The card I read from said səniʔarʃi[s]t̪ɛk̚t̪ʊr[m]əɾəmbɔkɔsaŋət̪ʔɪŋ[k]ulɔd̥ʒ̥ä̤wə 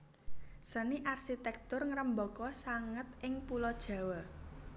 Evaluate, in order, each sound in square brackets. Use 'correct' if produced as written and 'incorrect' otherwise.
incorrect, incorrect, incorrect

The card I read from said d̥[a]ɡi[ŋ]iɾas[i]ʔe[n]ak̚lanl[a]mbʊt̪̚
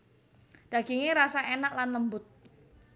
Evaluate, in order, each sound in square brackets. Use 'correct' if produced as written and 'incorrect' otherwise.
correct, correct, incorrect, correct, incorrect

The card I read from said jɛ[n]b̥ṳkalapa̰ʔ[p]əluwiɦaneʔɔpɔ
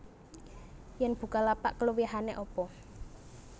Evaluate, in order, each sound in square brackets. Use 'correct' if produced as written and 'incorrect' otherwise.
correct, incorrect

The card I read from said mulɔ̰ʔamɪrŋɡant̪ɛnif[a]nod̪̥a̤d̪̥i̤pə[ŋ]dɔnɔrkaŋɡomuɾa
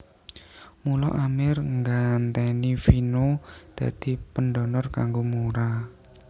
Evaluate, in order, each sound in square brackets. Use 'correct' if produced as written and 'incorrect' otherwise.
incorrect, incorrect

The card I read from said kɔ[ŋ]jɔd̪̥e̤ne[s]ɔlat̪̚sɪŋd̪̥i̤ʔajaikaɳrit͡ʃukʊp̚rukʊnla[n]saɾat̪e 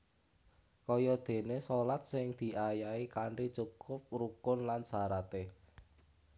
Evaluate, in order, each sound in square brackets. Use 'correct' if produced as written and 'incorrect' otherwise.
incorrect, correct, correct

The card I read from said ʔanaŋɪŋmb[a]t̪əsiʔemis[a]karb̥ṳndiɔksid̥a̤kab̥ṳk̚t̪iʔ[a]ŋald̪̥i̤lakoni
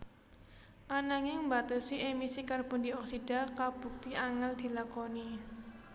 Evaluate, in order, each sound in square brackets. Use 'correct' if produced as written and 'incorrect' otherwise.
correct, incorrect, correct

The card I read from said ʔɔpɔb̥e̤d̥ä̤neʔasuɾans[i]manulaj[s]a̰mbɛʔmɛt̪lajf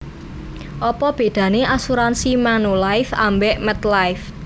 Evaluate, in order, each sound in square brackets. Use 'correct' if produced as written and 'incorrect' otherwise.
correct, incorrect

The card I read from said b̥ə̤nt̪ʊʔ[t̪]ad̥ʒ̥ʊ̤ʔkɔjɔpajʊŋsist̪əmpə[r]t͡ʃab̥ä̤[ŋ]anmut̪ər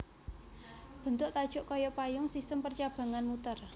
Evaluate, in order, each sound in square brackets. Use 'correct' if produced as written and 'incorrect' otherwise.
correct, correct, correct

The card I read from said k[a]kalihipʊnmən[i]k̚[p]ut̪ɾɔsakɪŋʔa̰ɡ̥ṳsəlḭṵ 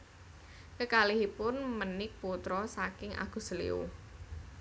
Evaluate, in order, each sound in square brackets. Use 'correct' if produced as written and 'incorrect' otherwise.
incorrect, incorrect, correct

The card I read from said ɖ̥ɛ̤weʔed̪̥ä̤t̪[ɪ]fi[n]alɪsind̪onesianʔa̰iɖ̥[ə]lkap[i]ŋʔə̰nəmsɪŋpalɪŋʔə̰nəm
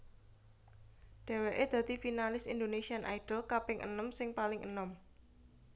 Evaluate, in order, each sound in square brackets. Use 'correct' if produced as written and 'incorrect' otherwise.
incorrect, correct, correct, incorrect

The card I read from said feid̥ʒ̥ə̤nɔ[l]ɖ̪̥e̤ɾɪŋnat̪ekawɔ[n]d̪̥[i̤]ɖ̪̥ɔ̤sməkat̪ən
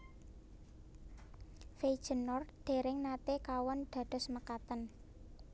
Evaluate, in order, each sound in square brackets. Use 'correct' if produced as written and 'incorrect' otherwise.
incorrect, correct, incorrect

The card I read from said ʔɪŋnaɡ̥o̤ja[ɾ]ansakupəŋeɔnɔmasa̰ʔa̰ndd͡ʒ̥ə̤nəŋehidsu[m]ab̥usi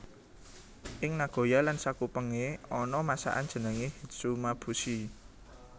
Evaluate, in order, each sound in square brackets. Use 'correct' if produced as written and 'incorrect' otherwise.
incorrect, correct

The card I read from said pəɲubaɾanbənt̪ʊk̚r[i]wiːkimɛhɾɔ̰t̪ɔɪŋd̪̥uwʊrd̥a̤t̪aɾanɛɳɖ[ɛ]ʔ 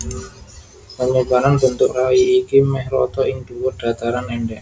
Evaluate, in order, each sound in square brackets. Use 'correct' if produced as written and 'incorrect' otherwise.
incorrect, correct

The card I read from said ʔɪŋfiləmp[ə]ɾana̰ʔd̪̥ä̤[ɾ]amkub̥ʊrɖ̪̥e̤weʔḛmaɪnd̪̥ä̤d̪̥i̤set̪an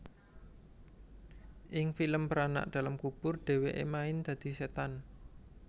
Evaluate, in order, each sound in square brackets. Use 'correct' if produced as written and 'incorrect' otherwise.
correct, incorrect

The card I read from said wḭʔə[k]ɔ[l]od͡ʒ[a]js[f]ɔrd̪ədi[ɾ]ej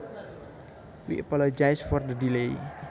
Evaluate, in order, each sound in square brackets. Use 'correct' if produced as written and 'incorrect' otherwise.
incorrect, correct, correct, correct, incorrect

